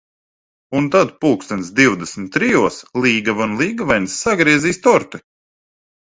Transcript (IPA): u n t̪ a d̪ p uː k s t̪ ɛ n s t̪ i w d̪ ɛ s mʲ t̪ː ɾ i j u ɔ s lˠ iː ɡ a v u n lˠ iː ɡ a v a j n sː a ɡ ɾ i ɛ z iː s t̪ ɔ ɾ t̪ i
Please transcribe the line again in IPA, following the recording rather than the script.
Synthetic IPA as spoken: u n t̪ a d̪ p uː k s t̪ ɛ n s d̪ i w d̪ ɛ s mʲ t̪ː ɾ i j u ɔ s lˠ iː ɡ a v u n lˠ iː ɡ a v a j n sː a ɡ ɾ i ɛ z iː s t̪ ɔ ɾ t̪ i